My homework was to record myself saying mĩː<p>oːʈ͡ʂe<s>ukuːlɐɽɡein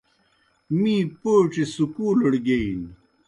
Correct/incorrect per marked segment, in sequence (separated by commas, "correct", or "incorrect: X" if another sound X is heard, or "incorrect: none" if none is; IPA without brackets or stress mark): correct, correct